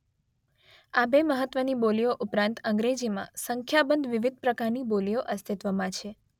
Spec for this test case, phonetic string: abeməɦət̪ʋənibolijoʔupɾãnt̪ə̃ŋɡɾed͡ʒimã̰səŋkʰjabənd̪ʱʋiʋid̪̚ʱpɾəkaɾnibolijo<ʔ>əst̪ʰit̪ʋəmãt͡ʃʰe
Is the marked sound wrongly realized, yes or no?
no